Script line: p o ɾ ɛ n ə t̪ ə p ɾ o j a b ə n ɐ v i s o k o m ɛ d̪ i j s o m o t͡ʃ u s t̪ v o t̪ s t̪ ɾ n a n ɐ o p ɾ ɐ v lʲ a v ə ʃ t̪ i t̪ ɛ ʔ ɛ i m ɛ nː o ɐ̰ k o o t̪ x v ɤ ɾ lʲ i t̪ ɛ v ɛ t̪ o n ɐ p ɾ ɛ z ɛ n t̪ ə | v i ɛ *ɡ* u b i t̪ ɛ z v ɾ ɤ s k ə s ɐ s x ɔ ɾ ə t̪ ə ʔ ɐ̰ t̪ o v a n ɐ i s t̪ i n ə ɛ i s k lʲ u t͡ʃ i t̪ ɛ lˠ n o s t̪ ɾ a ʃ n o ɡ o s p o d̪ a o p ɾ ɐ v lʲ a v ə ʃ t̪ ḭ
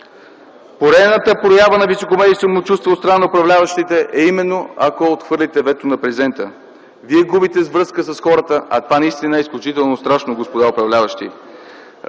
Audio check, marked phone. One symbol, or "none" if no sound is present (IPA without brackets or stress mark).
ɡ